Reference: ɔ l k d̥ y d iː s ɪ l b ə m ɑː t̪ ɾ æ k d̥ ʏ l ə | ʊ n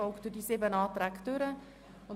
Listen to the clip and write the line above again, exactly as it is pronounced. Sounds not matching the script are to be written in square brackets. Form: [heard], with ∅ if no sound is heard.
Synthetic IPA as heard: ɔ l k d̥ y d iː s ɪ [∅] b ə [n] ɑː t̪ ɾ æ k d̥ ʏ [ɾ] ə | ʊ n